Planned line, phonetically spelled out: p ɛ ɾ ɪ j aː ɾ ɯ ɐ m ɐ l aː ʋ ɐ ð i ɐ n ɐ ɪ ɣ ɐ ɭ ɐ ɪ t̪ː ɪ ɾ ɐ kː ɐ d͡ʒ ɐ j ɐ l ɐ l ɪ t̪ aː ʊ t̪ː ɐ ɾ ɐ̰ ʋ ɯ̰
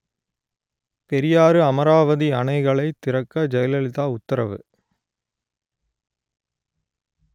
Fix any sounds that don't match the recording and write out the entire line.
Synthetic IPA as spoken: p ɛ ɾ ɪ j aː ɾ ɯ ɐ m ɐ ɾ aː ʋ ɐ ð i ɐ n ɐ ɪ ɣ ɐ ɭ ɐ ɪ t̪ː ɪ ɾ ɐ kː ɐ d͡ʒ ɐ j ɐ l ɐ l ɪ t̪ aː ʊ t̪ː ɐ ɾ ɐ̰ ʋ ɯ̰